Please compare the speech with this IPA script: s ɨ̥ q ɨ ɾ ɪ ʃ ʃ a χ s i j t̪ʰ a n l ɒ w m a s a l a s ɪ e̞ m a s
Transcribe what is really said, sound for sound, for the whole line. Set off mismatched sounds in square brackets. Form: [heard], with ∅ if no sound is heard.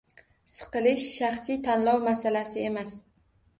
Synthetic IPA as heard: s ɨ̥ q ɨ [l] ɪ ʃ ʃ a χ s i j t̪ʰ a n l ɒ w m a s a l a s ɪ e̞ m a s